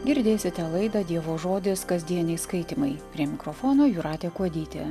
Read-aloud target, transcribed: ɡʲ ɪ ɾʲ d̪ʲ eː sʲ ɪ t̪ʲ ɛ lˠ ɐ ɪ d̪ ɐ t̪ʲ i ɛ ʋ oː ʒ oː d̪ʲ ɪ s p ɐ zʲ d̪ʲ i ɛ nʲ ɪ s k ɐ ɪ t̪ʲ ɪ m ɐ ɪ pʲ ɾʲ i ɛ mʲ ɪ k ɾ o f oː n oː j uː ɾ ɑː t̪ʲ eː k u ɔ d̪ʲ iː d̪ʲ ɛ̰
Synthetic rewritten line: ɡʲ ɪ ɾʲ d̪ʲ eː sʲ ɪ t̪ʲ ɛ lˠ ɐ ɪ d̪ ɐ d̪ʲ i ɛ ʋ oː ʒ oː d̪ʲ ɪ s k ɐ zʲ d̪ʲ i ɛ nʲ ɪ s k ɐ ɪ t̪ʲ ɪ m ɐ ɪ pʲ ɾʲ i ɛ mʲ ɪ k ɾ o f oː n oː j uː ɾ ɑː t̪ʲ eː k u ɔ d̪ʲ iː t̪ʲ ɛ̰

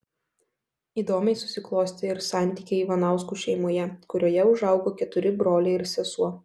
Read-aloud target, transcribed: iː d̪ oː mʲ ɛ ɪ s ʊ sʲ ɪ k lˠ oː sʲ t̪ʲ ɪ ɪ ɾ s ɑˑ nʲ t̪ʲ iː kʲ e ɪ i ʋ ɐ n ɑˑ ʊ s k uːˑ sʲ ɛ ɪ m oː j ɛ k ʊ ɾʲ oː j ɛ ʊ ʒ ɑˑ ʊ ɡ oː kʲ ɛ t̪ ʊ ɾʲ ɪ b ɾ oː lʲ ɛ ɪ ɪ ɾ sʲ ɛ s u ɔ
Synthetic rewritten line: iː d̪ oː mʲ ɛ ɪ s ʊ sʲ ɪ k lˠ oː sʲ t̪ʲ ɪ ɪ ɾ s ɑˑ nʲ t̪ʲ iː kʲ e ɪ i ʋ ɐ n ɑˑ ʊ s k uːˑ ʃʲ ɛ ɪ m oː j ɛ k ʊ ɾʲ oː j ɛ ʊ ʒ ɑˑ ʊ ɡ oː kʲ ɛ t̪ ʊ ɾʲ ɪ b ɾ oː lʲ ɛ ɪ ɪ ɾ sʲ ɛ s u ɔ

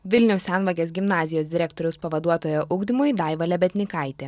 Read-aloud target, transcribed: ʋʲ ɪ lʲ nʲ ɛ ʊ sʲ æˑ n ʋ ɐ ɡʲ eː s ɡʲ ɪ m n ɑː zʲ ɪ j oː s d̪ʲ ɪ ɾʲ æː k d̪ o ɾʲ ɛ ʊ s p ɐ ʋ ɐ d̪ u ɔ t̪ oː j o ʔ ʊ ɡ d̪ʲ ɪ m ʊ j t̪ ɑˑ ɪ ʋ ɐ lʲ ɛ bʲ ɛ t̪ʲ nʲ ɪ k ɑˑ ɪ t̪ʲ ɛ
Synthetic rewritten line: ʋʲ ɪ lʲ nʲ ɛ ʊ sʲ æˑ n ʋ ɐ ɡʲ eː s ɡʲ ɪ m n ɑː zʲ ɪ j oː s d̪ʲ ɪ ɾʲ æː k t̪ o ɾʲ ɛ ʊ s p ɐ ʋ ɐ d̪ u ɔ t̪ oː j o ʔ ʊ ɡ d̪ʲ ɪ m ʊ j d̪ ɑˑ ɪ ʋ ɐ lʲ ɛ bʲ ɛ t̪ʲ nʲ ɪ k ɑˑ ɪ t̪ʲ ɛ

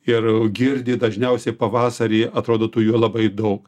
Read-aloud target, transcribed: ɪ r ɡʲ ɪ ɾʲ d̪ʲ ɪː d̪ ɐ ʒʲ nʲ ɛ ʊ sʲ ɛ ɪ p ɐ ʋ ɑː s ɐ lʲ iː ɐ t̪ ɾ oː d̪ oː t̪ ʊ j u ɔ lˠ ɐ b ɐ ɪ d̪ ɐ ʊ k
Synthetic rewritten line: ɪ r ɡʲ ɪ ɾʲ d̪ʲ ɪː d̪ ɐ ʒʲ nʲ ɛ ʊ sʲ ɛ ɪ p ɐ ʋ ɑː s ɐ ɾʲ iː ɐ t̪ ɾ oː d̪ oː t̪ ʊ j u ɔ lˠ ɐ b ɐ ɪ d̪ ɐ ʊ k

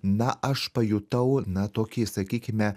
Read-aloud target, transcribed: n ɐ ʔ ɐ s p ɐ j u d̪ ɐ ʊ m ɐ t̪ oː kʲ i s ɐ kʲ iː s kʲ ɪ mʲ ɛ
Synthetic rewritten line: n ɐ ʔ ɐ ʃ p ɐ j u t̪ ɐ ʊ n ɐ t̪ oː kʲ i s ɐ kʲ iː kʲ ɪ mʲ ɛ

